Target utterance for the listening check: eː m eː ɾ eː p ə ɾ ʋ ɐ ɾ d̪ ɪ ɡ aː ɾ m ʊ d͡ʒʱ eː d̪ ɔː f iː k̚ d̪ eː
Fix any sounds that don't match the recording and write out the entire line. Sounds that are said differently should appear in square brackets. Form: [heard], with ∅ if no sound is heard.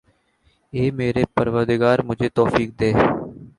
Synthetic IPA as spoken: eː m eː ɾ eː p ə ɾ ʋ [ə] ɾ d̪ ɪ ɡ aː ɾ m ʊ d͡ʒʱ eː [t̪] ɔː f iː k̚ d̪ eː